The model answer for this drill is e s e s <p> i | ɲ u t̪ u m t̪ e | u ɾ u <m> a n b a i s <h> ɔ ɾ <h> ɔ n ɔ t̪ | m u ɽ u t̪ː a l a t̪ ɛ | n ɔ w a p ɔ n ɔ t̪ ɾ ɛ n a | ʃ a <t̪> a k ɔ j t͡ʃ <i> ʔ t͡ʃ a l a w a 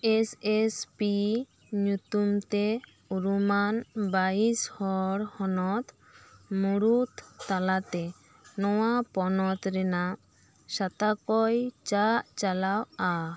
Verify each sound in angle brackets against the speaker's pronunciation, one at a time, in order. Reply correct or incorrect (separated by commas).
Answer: correct, correct, correct, correct, correct, incorrect